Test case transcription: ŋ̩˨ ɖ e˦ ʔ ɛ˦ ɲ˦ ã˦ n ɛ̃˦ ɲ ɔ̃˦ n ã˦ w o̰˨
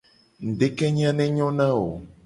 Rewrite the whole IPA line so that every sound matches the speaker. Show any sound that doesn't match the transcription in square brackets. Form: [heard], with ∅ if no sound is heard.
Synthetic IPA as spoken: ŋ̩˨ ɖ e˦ [k] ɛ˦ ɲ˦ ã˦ n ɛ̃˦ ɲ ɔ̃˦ n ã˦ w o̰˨